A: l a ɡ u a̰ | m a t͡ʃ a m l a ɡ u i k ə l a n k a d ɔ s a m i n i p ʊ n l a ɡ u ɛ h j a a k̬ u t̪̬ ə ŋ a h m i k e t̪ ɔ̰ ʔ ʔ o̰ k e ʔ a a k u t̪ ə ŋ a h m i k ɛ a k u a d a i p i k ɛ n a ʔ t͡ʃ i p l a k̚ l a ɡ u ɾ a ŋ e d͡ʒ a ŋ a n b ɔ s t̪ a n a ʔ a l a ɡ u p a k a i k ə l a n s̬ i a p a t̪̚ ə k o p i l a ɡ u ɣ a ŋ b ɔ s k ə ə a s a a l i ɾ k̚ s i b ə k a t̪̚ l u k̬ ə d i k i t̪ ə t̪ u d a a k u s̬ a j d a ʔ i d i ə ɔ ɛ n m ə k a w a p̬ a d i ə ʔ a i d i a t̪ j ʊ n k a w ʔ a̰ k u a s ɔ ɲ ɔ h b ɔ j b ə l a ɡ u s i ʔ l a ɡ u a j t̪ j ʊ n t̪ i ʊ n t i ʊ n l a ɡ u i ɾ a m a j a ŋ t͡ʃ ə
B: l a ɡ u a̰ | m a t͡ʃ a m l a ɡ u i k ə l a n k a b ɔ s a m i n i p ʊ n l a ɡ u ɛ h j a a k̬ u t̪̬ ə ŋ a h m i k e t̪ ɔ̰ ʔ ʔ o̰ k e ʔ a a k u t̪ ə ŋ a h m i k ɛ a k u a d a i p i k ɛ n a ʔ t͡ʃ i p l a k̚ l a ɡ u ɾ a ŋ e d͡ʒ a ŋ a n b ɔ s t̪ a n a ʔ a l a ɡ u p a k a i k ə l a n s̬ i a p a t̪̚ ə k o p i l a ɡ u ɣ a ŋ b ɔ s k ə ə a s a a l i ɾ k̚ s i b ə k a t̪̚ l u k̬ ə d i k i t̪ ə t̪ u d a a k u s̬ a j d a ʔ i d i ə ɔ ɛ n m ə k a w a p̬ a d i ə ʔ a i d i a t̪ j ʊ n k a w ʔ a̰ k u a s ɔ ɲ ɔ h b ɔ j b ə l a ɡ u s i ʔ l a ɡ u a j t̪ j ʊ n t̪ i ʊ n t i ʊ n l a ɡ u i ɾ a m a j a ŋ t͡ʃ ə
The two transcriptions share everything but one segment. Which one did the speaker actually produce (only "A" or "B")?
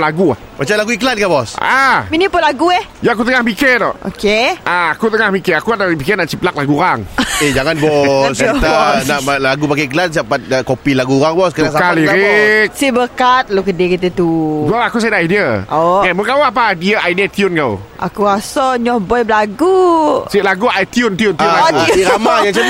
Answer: B